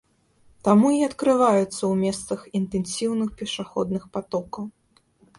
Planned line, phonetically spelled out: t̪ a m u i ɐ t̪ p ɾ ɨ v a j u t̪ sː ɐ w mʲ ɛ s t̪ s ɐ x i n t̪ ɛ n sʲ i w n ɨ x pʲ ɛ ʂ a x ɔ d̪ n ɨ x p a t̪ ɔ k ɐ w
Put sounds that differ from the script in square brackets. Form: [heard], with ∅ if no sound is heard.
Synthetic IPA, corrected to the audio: t̪ a m u i ɐ t̪ [k] ɾ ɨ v a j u t̪ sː ɐ w mʲ ɛ s t̪ s ɐ x i n t̪ ɛ n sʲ i w n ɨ x pʲ ɛ ʂ a x ɔ d̪ n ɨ x p a t̪ ɔ k ɐ w